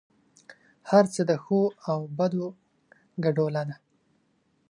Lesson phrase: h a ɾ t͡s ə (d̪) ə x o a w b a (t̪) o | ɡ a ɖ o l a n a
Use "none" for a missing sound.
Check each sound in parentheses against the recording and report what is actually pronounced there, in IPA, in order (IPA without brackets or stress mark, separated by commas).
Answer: d̪, d̪